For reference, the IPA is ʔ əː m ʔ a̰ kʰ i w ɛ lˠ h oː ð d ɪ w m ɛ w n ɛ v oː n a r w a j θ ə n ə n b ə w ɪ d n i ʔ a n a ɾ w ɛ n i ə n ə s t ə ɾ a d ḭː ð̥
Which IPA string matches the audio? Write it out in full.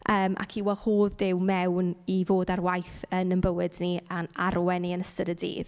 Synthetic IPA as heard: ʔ əː m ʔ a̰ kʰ i w ɛ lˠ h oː ð d ɪ w m ɛ w n i v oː d a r w a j θ ə n ə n b ə w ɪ d n i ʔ a n a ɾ w ɛ n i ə n ə s t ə ɾ ə d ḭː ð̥